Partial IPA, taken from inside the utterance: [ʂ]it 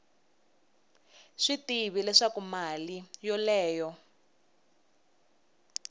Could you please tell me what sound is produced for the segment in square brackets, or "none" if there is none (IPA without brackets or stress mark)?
ʂ